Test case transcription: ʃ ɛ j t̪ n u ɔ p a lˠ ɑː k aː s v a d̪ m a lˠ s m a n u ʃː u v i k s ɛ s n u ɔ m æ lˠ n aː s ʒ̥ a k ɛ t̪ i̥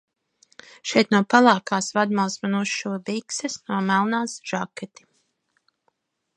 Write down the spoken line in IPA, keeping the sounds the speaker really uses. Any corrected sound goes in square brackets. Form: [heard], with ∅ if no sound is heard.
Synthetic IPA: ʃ ɛ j t̪ n u ɔ p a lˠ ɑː k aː s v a d̪ m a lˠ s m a n u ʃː u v i k s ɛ s n u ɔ m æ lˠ n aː s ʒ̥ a k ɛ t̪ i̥